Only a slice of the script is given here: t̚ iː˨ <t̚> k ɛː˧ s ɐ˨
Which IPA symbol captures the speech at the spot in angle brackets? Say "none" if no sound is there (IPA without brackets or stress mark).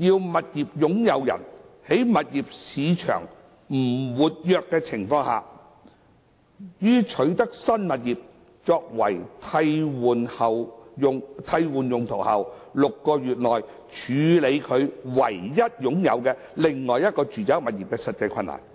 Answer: p̚